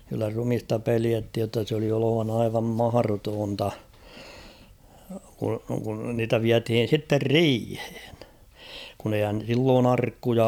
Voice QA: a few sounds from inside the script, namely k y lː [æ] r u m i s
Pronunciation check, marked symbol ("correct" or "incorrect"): correct